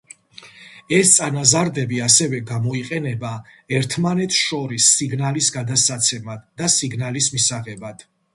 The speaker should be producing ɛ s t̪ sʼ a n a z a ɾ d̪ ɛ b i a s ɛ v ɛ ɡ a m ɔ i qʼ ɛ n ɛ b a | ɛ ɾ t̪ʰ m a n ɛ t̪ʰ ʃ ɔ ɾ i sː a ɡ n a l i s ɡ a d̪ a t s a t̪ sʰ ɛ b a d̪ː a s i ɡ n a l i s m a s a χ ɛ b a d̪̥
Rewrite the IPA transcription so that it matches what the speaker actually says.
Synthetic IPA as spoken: ɛ s t̪ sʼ a n a z a ɾ d̪ ɛ b i a s ɛ v ɛ ɡ a m ɔ i qʼ ɛ n ɛ b a | ɛ ɾ t̪ʰ m a n ɛ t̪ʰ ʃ ɔ ɾ i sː i ɡ n a l i s ɡ a d̪ a t s a t̪ sʰ ɛ m a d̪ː a s i ɡ n a l i s m i s a ʁ ɛ b a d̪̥